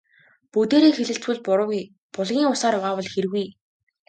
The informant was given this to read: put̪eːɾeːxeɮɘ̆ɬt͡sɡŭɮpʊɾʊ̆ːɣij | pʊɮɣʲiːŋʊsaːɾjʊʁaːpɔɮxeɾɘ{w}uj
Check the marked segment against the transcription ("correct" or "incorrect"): incorrect